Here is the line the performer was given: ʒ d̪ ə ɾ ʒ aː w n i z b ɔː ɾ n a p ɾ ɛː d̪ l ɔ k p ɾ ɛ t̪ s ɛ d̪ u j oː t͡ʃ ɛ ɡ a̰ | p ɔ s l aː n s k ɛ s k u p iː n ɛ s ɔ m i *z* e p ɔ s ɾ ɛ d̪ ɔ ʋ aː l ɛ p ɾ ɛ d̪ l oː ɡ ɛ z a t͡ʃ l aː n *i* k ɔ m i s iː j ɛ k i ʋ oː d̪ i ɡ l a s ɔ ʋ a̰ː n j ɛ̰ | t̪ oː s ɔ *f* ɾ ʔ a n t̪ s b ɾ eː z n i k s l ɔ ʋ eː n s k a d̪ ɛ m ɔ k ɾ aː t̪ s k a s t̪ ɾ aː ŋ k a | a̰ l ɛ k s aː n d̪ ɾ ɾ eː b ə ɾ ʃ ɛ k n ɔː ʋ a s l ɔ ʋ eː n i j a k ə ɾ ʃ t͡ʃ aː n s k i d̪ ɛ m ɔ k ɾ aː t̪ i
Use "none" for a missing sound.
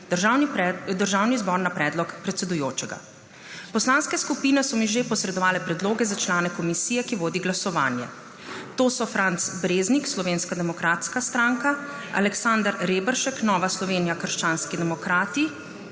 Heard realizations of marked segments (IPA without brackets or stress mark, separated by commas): ʒ, ɛ, f